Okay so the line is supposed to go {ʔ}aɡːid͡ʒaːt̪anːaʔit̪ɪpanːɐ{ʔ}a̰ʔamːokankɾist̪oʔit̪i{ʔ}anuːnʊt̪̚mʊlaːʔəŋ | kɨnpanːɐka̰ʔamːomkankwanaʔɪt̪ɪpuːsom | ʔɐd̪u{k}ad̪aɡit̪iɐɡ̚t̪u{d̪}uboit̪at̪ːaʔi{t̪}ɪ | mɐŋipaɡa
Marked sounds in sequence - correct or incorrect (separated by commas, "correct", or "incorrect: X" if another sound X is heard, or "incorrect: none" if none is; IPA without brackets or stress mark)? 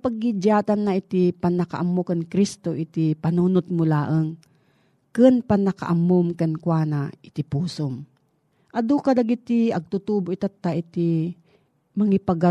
incorrect: p, incorrect: k, incorrect: p, correct, incorrect: t̪, correct